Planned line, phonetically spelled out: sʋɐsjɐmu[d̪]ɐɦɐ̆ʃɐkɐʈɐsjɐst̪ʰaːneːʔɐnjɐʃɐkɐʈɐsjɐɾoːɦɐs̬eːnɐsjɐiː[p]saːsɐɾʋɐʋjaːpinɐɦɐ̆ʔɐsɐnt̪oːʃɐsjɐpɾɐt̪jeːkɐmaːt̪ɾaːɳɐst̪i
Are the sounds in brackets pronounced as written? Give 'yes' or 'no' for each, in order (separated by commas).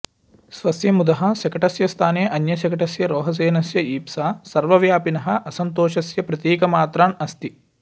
yes, yes